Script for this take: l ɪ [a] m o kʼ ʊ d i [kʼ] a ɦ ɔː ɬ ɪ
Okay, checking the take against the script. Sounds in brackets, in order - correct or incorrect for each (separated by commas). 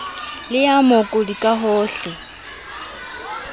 correct, correct